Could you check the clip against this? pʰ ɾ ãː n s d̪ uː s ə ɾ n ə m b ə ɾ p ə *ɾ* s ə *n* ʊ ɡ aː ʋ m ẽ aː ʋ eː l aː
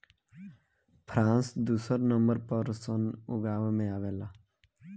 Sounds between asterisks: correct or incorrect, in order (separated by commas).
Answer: correct, correct